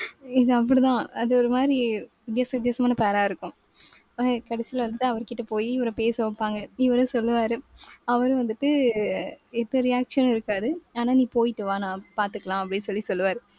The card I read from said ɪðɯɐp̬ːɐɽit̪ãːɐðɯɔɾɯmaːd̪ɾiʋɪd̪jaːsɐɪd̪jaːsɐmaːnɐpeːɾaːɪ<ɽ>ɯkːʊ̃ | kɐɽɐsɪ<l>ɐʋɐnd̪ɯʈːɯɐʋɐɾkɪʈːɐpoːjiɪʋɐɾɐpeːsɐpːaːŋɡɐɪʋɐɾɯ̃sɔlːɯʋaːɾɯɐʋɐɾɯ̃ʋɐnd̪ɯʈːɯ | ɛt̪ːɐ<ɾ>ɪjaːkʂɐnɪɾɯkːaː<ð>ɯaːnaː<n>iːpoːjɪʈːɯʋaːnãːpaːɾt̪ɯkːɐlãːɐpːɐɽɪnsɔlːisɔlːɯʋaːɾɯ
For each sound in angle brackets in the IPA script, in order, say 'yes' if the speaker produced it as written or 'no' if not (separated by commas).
no, yes, yes, yes, yes